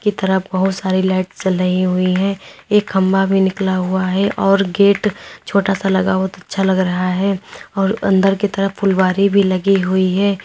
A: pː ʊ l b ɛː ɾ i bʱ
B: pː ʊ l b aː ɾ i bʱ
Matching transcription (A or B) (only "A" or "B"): B